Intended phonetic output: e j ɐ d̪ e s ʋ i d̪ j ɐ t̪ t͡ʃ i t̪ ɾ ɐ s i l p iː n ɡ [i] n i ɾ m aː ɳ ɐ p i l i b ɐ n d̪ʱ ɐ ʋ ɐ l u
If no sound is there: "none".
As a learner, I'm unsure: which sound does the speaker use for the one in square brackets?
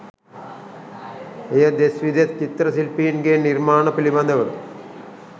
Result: e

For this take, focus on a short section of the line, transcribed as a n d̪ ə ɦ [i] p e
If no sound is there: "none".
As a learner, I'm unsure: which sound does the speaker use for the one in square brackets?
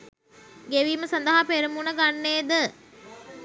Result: a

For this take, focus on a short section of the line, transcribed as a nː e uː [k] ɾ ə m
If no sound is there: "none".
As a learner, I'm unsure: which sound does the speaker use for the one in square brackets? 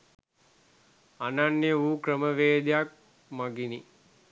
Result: k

